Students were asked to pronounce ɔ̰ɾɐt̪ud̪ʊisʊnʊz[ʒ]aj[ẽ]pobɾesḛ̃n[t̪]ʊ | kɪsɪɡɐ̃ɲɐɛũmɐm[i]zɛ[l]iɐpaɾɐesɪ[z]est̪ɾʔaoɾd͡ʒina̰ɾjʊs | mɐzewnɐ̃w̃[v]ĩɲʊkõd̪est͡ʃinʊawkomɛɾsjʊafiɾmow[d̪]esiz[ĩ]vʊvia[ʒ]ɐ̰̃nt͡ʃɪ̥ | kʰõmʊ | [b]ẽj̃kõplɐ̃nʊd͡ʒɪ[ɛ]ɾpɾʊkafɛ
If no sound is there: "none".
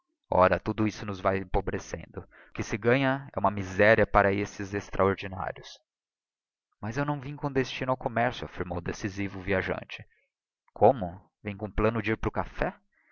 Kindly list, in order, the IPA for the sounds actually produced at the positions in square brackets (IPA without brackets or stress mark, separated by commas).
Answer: v, ẽ, d̪, i, ɾ, z, v, d̪, i, ʒ, v, i